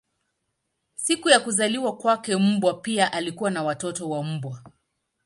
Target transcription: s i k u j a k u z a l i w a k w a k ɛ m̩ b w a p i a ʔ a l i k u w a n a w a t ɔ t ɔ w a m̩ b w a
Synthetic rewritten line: s i k u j a k u z a l i w a k w a k ɛ m̩ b w a p i a ʔ a l i k u w a n a w a t ɔ t ɔ w a m̩ b w a